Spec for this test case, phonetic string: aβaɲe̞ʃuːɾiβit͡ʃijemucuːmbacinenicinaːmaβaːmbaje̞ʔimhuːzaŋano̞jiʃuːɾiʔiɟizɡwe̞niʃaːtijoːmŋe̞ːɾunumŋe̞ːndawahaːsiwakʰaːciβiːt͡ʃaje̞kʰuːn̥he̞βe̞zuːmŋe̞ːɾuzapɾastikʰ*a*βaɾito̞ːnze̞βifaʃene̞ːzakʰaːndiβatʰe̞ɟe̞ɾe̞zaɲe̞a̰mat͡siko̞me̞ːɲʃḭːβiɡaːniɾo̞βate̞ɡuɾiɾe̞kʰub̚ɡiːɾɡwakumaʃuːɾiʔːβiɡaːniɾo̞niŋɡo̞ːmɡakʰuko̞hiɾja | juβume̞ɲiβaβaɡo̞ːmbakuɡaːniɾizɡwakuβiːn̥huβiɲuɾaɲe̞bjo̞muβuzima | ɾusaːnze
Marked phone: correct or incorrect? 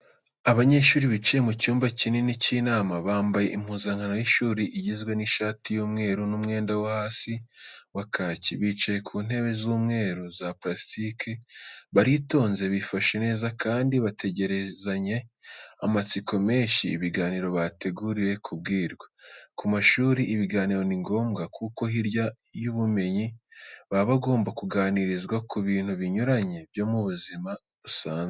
incorrect